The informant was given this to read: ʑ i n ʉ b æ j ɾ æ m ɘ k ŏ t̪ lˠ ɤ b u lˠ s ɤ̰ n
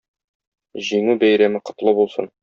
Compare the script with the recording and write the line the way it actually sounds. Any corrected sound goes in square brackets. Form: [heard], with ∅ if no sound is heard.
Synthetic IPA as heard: ʑ i [ŋ] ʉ b æ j ɾ æ m ɘ [q] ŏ t̪ lˠ ɤ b u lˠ s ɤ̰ n